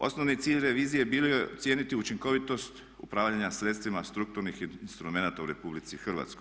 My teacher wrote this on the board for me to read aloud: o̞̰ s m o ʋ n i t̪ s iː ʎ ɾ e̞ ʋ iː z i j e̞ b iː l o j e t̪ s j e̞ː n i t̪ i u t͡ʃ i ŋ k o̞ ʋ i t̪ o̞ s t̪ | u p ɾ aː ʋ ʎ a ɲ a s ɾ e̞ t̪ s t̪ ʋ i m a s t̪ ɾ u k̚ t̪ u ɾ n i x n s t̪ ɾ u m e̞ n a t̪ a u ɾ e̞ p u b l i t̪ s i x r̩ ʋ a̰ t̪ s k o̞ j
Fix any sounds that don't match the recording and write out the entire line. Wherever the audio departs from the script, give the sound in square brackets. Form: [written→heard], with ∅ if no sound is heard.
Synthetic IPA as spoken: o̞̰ s [m→n] o ʋ n i t̪ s iː ʎ ɾ e̞ ʋ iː z i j e̞ b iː l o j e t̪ s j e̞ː n i t̪ i u t͡ʃ i ŋ k o̞ ʋ i t̪ o̞ s t̪ | u p ɾ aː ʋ ʎ a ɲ a s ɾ e̞ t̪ s t̪ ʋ i m a s t̪ ɾ u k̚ t̪ u ɾ n i x n s t̪ ɾ u m e̞ n a t̪ a u ɾ e̞ p u b l i t̪ s i x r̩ ʋ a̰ t̪ s k o̞ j